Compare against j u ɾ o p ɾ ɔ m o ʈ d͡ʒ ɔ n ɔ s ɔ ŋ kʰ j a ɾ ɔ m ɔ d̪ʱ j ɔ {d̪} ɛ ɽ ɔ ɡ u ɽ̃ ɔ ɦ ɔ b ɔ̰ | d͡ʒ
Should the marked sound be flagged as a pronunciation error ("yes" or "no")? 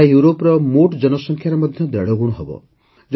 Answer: no